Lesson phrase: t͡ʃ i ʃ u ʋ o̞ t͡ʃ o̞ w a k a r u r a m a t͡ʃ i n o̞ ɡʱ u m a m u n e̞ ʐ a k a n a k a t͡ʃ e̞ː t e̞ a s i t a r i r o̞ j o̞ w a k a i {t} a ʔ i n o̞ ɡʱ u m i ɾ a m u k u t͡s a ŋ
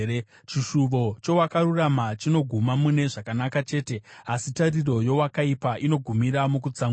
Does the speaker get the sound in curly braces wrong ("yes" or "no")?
yes